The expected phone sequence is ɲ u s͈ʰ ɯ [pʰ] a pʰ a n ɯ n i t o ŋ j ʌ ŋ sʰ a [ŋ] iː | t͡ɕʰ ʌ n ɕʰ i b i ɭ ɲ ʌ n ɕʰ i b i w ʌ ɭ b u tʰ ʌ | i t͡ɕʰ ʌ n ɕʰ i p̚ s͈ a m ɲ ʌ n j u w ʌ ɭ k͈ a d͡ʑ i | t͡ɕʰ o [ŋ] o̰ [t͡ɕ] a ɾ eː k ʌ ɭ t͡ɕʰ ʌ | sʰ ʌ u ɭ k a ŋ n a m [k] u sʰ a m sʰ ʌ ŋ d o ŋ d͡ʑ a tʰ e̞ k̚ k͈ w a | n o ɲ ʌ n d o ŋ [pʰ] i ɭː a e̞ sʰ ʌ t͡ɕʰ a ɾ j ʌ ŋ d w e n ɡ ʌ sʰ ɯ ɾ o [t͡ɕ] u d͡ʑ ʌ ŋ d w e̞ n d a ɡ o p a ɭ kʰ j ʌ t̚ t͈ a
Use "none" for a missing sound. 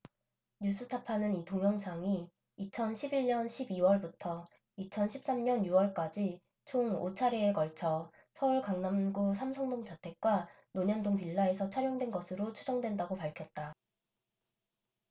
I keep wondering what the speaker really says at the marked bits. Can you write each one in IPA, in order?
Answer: tʰ, ŋ, ŋ, t͡ɕʰ, ɡ, p, t͡ɕʰ

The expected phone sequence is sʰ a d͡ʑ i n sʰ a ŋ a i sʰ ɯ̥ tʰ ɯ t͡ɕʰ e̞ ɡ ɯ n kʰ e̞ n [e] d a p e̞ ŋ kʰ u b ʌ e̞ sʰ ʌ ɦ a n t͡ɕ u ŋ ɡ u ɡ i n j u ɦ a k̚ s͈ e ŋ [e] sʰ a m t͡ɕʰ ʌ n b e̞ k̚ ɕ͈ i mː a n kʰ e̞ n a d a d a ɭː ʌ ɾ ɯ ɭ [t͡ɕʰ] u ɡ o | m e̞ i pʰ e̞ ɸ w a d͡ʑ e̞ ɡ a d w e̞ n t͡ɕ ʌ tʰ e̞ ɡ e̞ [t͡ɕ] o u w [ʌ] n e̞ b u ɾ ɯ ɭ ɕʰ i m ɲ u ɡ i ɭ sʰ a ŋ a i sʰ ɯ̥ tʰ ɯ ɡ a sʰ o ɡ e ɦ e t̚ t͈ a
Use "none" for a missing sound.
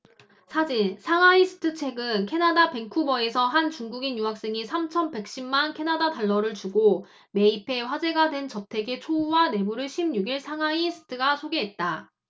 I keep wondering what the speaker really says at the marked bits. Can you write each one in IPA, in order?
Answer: a, i, t͡ɕ, t͡ɕʰ, a

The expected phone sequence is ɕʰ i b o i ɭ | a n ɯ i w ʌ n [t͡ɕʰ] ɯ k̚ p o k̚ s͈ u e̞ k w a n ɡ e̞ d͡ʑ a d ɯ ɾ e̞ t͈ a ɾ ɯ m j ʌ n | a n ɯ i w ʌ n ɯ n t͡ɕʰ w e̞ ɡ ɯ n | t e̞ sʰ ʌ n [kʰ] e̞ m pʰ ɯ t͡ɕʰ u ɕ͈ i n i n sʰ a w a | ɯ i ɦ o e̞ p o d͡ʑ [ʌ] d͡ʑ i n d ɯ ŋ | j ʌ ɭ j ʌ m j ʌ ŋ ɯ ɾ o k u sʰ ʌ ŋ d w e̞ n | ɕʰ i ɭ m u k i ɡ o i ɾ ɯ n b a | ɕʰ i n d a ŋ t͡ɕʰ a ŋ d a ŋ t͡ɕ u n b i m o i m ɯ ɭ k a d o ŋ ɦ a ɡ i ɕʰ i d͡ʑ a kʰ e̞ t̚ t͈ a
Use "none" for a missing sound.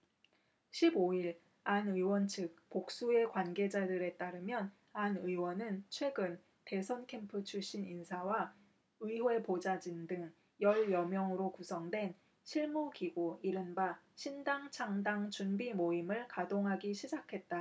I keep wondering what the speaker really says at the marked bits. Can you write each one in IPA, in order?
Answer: t͡ɕʰ, kʰ, a

